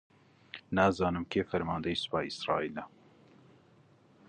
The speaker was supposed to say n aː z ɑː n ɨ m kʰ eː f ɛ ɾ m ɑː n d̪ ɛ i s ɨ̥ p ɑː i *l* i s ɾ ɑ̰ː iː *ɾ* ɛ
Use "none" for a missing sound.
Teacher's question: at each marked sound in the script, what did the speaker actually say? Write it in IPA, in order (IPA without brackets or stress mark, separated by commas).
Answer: none, l